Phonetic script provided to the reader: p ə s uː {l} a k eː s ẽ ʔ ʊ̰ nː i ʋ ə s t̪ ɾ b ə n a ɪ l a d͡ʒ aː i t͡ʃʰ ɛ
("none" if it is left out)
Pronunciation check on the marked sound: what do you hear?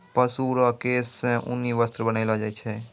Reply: ɾ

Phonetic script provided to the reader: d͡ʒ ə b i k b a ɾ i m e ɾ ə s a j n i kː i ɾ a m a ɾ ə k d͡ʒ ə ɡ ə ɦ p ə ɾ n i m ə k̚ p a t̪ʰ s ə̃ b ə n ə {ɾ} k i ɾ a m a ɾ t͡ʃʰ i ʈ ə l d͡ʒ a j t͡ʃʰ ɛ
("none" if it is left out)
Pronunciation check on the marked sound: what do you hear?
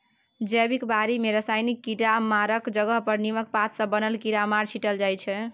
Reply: l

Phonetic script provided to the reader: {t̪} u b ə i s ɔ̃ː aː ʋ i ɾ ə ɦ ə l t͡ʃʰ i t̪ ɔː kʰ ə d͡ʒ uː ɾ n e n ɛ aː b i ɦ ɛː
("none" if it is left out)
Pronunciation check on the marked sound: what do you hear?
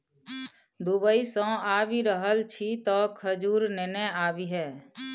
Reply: d̪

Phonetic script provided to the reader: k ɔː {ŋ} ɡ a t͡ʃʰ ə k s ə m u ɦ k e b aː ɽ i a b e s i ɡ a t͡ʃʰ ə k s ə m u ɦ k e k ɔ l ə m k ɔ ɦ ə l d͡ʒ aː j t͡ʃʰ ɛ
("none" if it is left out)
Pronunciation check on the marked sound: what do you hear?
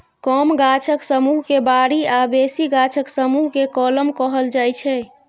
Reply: m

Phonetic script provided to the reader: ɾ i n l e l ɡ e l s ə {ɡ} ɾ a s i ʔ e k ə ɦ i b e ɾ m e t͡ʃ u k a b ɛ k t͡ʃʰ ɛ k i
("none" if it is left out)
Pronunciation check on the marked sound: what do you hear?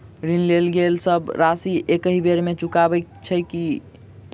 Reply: b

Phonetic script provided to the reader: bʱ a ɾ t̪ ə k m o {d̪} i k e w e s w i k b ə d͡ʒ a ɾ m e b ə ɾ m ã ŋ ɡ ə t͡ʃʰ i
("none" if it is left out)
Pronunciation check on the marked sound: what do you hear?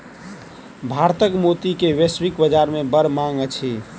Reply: t̪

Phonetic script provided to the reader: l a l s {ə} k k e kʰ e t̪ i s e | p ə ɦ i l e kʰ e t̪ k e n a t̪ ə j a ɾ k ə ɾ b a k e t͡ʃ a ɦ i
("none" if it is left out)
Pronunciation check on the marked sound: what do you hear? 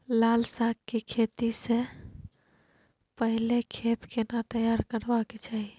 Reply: a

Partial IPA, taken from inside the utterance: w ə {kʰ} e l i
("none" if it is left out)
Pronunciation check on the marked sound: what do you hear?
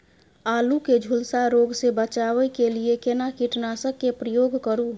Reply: k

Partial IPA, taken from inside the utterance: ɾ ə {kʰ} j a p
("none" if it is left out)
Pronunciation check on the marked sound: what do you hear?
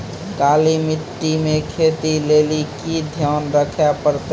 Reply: kʰ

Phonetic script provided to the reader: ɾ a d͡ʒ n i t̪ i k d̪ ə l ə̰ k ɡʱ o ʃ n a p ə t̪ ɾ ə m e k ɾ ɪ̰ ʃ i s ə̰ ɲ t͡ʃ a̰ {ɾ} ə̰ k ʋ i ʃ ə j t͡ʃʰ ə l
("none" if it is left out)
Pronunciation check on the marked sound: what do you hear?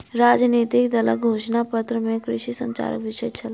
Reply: ɾ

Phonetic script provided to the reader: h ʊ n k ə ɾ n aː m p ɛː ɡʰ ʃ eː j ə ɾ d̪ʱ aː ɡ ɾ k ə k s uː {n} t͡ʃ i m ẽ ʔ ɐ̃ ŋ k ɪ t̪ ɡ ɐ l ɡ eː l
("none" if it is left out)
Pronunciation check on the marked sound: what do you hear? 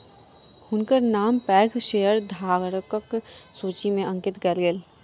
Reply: none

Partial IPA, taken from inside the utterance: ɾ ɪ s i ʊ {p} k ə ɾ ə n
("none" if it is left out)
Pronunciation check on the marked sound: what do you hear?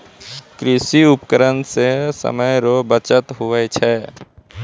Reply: p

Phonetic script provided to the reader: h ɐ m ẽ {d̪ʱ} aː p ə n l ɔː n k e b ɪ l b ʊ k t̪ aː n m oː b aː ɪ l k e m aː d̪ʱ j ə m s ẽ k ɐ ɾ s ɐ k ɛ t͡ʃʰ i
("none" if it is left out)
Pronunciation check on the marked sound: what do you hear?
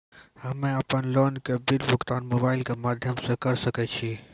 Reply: none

